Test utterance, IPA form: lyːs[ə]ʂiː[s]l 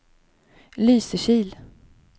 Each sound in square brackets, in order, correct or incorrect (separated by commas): correct, incorrect